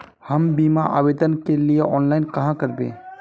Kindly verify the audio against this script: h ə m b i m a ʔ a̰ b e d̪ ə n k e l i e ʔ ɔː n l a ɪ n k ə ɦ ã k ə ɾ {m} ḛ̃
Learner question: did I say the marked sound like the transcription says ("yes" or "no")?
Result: no